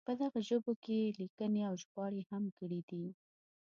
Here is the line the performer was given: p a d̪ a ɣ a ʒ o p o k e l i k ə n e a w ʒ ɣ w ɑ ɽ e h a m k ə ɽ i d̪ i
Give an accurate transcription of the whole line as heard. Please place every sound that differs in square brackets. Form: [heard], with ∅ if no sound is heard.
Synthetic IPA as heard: p [ə] d̪ a ɣ a ʒ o [b] o k e l i k ə n e a w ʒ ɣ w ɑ ɽ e h a m k ə ɽ i d̪ i